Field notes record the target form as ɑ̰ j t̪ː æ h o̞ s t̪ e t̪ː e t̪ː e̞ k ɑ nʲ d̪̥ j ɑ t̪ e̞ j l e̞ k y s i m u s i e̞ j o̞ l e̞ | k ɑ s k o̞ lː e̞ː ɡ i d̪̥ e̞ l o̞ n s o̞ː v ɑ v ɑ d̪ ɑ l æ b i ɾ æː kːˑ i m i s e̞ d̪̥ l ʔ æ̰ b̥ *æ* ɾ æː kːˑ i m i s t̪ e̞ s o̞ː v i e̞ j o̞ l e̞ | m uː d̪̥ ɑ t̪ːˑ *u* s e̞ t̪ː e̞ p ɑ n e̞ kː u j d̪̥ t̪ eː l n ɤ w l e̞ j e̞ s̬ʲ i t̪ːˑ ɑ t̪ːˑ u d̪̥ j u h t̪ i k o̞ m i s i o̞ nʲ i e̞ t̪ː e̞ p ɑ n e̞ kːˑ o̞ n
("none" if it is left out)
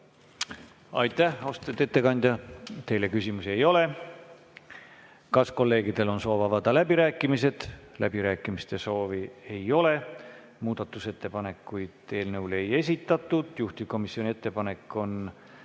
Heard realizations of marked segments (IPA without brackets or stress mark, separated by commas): i, u